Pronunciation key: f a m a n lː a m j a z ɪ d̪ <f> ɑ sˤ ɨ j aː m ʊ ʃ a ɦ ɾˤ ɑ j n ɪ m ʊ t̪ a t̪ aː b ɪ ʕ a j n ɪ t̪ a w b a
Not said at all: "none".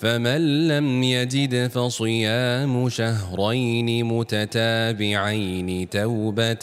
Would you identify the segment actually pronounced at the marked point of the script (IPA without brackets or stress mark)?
f